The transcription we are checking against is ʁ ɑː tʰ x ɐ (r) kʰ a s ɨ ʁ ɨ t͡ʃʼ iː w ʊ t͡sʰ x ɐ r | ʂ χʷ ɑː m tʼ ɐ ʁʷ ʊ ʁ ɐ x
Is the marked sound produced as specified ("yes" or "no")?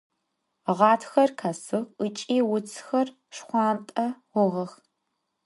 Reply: yes